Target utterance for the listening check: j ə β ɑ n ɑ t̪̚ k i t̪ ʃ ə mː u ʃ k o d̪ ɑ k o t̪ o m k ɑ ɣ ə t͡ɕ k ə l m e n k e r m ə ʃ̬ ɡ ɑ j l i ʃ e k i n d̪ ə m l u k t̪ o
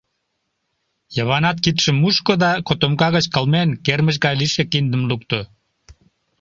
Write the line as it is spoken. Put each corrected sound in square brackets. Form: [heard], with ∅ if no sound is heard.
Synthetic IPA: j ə β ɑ n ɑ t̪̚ k i t̪ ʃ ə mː u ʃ k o d̪ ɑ k o t̪ o m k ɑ ɣ ə t͡ɕ k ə l m e n k e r m ə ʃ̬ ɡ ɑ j l i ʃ e k i n d̪ ə m l u k t̪ o